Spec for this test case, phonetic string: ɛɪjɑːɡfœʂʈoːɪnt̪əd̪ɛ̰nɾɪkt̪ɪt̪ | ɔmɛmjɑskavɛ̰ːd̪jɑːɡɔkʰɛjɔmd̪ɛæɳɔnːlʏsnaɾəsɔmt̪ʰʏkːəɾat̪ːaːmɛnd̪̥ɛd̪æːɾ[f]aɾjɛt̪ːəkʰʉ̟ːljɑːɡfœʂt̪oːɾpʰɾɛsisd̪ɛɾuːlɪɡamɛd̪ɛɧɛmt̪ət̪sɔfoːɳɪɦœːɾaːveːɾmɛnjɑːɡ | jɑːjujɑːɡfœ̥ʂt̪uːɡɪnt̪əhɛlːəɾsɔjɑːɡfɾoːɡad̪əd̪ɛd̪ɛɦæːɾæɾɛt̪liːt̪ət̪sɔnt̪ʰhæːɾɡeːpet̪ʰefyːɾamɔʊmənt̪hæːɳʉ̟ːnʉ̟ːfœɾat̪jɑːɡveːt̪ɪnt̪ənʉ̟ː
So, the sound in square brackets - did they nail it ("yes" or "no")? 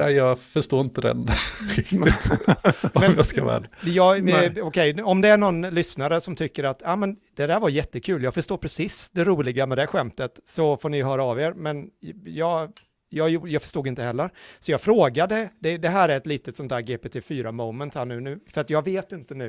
no